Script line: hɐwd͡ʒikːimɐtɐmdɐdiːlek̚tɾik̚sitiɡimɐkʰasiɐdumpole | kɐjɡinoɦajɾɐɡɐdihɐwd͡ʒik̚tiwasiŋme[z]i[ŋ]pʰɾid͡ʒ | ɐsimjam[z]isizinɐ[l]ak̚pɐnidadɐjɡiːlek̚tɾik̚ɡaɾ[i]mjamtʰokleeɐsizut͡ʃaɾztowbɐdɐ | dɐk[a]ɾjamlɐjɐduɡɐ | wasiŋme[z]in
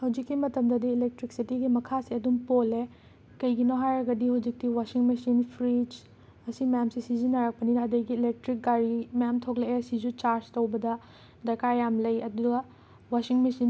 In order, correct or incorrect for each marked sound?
incorrect: s, incorrect: n, incorrect: s, incorrect: ɾ, correct, correct, incorrect: s

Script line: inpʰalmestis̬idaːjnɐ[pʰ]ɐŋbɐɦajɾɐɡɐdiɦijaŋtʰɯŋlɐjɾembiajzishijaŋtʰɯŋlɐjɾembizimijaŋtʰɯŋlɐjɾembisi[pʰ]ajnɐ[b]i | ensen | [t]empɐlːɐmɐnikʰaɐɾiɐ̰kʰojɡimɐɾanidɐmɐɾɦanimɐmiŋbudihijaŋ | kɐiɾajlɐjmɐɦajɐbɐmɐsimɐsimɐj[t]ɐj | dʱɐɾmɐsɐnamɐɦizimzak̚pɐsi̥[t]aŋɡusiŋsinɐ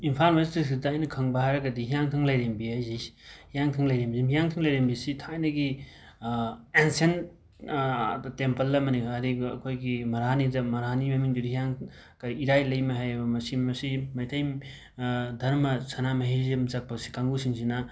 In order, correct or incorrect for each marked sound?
incorrect: kʰ, incorrect: tʰ, incorrect: ɡ, correct, incorrect: tʰ, incorrect: k

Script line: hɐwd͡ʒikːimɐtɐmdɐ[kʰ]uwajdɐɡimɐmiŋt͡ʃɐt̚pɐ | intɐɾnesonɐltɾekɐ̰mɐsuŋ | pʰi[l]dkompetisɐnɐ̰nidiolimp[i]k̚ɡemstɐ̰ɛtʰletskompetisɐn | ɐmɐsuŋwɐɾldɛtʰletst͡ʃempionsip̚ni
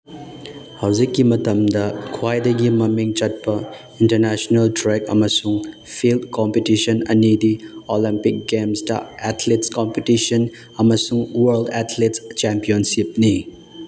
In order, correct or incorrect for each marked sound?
correct, correct, correct

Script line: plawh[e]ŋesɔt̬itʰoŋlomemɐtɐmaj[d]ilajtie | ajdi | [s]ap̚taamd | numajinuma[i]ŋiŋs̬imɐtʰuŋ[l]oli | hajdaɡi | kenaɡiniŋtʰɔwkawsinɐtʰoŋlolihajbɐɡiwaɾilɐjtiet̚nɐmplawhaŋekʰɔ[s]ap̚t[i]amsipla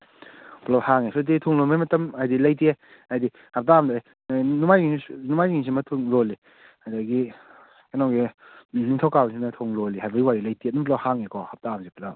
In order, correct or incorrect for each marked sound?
incorrect: a, correct, incorrect: h, incorrect: j, correct, incorrect: h, incorrect: a

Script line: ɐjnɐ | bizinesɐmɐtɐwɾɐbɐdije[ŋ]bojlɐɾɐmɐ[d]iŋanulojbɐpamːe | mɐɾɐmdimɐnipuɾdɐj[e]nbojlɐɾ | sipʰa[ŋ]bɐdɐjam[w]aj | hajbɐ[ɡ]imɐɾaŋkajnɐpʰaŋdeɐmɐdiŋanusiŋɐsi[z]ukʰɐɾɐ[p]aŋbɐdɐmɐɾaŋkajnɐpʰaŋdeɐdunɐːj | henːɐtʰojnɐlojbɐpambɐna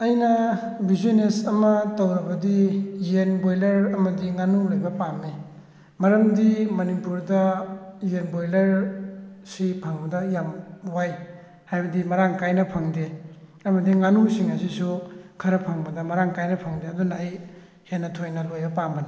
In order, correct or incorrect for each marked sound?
incorrect: n, correct, correct, correct, correct, incorrect: d, incorrect: s, incorrect: pʰ

